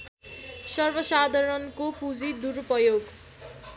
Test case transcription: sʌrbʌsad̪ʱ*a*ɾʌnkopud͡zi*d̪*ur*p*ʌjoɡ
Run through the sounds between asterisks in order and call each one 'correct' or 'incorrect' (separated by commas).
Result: incorrect, correct, correct